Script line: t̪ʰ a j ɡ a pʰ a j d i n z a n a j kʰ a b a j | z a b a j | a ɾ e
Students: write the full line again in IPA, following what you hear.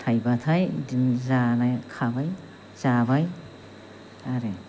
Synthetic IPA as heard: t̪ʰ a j b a tʰ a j d i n z a n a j kʰ a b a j | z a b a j | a ɾ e